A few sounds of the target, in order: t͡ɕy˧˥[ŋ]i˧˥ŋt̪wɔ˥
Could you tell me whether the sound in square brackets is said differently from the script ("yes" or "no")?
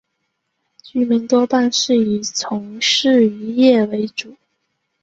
yes